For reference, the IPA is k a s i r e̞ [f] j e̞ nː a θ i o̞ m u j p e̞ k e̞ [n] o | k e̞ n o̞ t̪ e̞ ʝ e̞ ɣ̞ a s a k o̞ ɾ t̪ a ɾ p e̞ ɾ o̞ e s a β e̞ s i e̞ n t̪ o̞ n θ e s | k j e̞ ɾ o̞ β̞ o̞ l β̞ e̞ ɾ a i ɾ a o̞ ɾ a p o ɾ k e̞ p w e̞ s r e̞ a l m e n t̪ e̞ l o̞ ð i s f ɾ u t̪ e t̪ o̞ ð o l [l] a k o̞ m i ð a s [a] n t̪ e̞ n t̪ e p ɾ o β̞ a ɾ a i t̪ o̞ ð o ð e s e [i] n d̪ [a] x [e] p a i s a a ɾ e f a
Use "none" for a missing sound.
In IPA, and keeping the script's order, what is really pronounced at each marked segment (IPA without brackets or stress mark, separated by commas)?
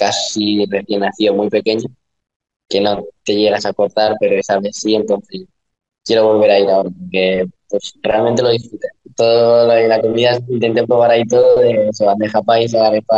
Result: θ, ɲ, l, i, a, e, a